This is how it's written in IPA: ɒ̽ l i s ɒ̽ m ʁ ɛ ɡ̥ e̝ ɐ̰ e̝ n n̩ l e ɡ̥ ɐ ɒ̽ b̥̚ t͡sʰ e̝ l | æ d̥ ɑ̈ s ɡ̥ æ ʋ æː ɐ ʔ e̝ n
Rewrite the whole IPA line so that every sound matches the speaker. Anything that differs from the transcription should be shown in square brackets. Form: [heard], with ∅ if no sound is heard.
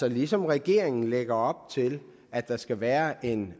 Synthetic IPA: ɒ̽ l i s ɒ̽ m ʁ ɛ ɡ̥ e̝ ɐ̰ e̝ [ŋ] n̩ l e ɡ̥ ɐ ɒ̽ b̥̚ t͡sʰ e̝ l | æ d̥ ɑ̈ s ɡ̥ æ ʋ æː ɐ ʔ e̝ n